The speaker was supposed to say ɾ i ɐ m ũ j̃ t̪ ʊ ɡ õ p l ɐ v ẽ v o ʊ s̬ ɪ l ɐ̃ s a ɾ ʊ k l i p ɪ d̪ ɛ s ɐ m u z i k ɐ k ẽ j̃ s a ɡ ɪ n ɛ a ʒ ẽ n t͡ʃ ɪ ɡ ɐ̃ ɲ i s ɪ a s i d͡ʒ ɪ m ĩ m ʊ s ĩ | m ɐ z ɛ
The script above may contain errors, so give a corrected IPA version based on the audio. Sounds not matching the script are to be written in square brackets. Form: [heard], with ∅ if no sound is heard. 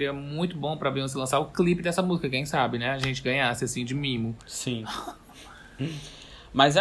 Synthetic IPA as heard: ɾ i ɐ m ũ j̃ t̪ ʊ [b] õ p [ɾ] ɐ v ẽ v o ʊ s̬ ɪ l ɐ̃ s a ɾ ʊ k l i p ɪ d̪ ɛ s ɐ m u z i k ɐ k ẽ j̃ s a [b] ɪ n ɛ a ʒ ẽ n t͡ʃ ɪ ɡ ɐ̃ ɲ [a] s ɪ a s [ĩ] d͡ʒ ɪ m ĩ m ʊ s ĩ | m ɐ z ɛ